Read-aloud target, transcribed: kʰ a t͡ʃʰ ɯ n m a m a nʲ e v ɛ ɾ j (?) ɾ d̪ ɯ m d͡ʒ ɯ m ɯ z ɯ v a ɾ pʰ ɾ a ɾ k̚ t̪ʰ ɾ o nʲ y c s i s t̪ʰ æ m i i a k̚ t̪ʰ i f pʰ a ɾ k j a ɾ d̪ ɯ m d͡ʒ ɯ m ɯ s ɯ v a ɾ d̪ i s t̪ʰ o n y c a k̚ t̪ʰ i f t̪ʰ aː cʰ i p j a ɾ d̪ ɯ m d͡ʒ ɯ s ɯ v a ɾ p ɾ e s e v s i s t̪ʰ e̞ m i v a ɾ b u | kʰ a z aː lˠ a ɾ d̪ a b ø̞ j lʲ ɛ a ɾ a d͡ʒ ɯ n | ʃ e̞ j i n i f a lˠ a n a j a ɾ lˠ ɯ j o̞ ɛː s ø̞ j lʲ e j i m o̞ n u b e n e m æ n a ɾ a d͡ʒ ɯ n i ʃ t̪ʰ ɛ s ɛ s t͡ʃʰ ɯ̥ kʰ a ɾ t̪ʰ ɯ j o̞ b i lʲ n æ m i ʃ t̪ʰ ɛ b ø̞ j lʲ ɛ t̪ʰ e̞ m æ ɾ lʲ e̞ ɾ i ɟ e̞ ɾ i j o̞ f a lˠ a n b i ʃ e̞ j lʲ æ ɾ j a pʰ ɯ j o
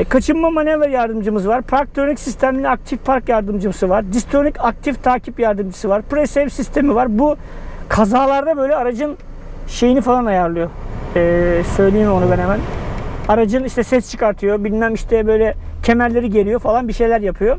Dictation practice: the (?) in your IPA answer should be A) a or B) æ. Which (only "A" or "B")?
A